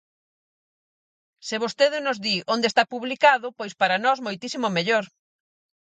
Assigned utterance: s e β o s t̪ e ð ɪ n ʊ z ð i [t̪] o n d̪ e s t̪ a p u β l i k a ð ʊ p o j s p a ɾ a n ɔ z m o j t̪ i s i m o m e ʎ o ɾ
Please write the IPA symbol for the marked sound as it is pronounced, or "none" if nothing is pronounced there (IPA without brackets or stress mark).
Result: none